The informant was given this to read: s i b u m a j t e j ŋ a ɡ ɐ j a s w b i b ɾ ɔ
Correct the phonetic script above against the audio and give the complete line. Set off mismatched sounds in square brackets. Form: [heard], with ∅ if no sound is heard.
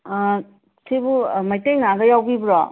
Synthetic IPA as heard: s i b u m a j t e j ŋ a ɡ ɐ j a [∅] w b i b ɾ ɔ